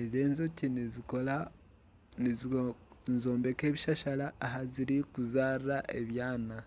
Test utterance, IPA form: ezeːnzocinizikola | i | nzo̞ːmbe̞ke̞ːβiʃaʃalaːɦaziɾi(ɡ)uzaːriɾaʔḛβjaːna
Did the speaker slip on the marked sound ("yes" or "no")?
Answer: yes